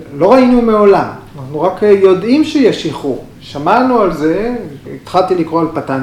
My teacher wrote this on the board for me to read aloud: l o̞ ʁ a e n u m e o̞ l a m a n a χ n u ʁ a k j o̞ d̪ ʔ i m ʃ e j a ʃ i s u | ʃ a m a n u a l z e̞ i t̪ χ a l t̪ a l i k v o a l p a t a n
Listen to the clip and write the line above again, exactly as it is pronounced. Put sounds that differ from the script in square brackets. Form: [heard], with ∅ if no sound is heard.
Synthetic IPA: l o̞ ʁ a [i] n u m e o̞ l a m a n a χ n u ʁ a k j o̞ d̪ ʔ i m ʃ e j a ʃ i [χ] u | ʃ a m a n u a l z e̞ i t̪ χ a l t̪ [i] l i k [ʁ] o a l p a t a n